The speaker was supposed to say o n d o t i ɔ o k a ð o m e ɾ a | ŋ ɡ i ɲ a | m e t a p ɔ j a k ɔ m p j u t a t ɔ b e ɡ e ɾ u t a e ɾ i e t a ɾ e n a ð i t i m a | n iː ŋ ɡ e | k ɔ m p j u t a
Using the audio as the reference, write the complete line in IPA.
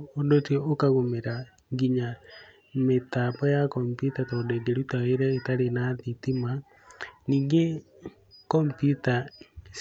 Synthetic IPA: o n d o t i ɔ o k a ɣ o m e ɾ a | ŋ ɡ i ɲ a | m e t a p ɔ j a k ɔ m p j u t a t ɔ d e ɡ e ɾ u t a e ɾ ɛ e t a ɾ e n a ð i t i m a | n iː ŋ ɡ e | k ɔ m p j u t a